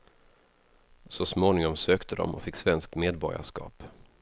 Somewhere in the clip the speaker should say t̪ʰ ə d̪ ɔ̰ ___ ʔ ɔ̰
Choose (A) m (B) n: A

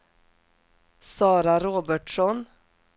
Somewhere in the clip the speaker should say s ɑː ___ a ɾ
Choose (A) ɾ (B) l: A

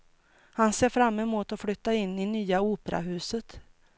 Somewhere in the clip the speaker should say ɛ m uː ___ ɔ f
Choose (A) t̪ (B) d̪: A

